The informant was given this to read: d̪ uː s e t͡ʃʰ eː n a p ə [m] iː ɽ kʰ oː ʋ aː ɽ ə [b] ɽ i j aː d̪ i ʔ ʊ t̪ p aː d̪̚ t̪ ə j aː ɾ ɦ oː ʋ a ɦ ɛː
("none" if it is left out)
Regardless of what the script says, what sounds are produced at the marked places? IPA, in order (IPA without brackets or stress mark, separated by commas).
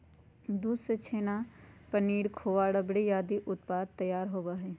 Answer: n, b